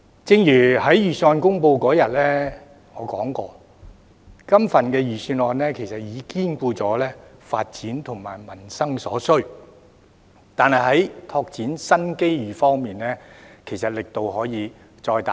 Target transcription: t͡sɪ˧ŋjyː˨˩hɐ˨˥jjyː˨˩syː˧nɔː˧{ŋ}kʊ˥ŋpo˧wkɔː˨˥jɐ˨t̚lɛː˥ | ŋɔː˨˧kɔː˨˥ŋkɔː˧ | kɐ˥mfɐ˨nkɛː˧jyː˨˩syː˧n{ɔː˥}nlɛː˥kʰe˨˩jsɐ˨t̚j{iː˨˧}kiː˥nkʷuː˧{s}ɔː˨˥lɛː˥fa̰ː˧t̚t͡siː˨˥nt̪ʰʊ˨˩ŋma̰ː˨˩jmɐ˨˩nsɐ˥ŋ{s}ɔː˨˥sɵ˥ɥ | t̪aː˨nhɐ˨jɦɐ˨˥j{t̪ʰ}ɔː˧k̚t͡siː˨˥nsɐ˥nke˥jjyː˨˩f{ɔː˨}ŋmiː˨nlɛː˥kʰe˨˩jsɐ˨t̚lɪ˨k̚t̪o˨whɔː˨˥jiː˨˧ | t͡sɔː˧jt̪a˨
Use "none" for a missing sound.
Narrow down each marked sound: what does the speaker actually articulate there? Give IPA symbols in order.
n, ɔː˧, iː˨˧, t͡s, s, t̪ʰ, ɔː˥

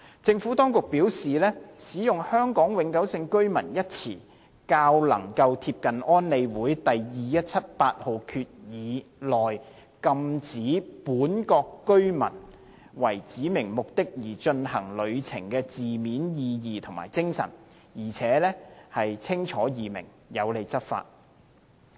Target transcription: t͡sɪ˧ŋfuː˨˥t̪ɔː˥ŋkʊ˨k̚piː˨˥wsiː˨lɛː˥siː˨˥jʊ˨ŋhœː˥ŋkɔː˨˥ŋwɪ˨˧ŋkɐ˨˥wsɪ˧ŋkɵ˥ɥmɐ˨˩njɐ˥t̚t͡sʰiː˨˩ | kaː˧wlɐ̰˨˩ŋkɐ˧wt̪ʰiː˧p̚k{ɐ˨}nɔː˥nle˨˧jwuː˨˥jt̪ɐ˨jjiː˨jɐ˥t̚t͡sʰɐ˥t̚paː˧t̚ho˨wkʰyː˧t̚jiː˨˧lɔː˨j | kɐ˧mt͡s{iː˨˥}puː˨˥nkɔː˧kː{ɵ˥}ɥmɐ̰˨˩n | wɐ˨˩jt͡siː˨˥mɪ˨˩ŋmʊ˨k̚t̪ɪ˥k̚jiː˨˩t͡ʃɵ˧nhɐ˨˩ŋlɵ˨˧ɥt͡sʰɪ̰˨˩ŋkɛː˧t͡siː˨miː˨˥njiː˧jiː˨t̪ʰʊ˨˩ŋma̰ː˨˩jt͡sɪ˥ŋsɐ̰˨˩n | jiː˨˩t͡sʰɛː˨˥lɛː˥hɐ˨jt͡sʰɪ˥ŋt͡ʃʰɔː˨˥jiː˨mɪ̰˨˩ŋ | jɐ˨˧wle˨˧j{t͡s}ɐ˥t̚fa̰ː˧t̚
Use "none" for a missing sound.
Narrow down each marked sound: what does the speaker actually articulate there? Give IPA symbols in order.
ɐ˨, iː˨˥, ɵ˥, t͡s

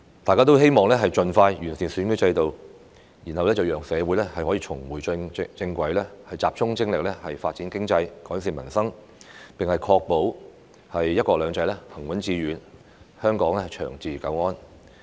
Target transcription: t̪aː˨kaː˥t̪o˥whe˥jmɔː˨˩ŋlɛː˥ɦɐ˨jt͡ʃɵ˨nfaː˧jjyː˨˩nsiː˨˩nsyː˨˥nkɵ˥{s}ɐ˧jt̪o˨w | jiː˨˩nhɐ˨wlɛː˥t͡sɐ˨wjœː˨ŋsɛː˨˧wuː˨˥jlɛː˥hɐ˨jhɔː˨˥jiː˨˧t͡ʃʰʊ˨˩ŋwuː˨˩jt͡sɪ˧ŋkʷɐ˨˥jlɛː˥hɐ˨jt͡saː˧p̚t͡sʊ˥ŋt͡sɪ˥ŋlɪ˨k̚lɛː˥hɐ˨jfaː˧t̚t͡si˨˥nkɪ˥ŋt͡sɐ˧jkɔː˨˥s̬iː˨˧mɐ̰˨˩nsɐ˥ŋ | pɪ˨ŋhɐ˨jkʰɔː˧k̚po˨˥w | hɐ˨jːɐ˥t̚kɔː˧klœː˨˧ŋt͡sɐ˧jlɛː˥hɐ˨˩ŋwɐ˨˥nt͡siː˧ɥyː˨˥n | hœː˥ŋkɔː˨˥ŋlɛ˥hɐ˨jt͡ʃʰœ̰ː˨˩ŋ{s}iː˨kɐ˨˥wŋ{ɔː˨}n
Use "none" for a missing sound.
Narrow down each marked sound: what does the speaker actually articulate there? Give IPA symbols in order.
t͡s, t͡s, ɔː˥

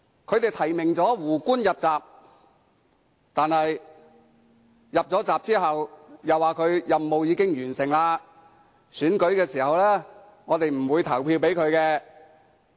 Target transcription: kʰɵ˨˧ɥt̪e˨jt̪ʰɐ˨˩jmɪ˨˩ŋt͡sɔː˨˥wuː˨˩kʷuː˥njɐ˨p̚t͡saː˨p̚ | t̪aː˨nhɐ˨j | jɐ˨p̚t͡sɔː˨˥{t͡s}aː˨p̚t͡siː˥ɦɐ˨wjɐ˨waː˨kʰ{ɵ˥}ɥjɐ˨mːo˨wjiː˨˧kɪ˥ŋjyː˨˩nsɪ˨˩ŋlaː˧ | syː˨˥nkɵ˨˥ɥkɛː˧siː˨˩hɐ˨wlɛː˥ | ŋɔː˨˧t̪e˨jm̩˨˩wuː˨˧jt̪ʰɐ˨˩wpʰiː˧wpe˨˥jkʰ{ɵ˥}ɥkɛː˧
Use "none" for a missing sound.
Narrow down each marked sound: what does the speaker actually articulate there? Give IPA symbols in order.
t͡s, ɵ˨˧, ɵ˨˧

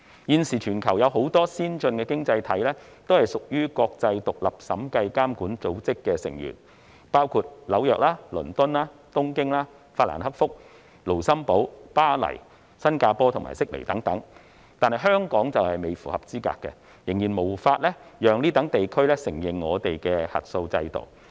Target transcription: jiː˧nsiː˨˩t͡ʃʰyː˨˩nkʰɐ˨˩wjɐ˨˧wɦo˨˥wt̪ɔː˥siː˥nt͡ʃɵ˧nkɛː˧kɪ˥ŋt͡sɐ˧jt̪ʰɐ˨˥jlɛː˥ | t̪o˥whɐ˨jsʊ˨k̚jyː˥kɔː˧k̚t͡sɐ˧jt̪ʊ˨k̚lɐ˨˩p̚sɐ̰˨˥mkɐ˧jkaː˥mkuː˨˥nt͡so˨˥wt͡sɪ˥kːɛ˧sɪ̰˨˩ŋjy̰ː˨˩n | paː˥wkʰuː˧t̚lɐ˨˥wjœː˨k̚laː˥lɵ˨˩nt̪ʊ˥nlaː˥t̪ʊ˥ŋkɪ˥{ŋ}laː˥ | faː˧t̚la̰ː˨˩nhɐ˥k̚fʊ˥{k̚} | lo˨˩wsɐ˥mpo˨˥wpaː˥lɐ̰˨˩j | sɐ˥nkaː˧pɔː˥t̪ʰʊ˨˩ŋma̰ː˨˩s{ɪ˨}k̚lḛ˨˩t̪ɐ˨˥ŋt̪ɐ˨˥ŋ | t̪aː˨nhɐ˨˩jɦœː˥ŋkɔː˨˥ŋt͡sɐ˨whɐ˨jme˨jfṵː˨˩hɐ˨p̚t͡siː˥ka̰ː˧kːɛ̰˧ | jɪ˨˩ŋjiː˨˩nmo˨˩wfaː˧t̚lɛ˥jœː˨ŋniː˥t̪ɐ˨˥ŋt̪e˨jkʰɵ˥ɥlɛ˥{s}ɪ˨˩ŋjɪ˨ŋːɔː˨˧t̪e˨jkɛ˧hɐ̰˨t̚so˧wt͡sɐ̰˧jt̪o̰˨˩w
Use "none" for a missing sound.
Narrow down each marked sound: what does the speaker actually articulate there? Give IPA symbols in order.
ŋ, k̚, ɪ˥, s

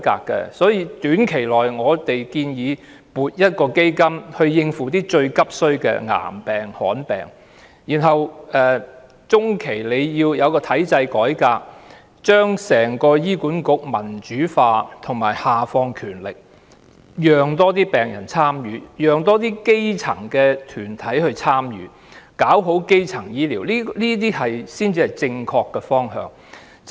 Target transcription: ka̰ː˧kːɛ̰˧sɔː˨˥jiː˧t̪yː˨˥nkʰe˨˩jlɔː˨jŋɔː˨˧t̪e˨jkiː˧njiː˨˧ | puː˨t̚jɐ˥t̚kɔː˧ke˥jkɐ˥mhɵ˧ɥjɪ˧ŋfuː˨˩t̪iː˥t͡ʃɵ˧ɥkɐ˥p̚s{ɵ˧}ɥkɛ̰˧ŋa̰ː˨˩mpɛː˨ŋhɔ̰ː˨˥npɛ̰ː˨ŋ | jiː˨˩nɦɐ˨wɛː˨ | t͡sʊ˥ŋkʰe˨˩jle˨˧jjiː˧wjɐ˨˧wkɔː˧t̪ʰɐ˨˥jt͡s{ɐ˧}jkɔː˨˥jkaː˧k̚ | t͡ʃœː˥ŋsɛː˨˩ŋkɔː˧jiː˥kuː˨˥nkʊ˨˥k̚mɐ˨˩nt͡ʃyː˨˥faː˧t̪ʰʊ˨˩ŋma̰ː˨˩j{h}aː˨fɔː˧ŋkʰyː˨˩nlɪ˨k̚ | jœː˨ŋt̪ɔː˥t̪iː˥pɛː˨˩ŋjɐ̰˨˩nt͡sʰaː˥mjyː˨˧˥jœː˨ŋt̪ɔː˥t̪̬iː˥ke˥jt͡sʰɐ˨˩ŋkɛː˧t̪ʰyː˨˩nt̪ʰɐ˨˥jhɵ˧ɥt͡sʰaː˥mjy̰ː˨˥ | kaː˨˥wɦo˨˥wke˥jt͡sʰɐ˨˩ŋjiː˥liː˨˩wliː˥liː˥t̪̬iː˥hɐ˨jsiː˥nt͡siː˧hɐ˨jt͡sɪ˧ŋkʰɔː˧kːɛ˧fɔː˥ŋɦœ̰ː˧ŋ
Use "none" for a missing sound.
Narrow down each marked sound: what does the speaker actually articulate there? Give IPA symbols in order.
ɵ˥, ɐ˧, h

